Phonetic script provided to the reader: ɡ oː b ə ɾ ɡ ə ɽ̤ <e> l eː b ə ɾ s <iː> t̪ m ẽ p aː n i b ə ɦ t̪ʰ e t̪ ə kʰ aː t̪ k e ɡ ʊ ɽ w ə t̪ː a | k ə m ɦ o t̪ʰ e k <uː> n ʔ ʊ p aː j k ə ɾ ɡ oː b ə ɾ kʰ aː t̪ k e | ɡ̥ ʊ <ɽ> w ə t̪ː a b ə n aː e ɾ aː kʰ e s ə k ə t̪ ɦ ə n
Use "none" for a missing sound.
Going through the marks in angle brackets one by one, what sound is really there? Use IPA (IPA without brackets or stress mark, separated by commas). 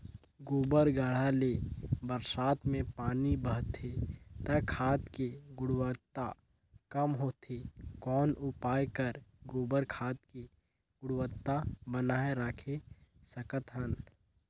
a, aː, ɔː, ɽ